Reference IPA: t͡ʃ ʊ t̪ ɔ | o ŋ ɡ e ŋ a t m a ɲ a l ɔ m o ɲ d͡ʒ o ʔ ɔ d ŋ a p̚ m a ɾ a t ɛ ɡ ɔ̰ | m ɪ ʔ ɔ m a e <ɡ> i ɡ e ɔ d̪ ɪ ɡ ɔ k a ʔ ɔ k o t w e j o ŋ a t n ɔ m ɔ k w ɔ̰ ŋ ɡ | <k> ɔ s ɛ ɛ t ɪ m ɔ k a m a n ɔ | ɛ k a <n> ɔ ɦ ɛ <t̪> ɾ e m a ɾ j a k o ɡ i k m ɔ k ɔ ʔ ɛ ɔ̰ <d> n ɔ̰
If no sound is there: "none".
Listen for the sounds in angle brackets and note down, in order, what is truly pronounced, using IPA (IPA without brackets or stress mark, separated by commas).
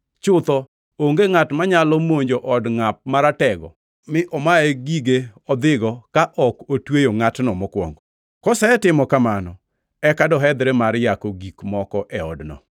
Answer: ɡ, k, d, d̪, d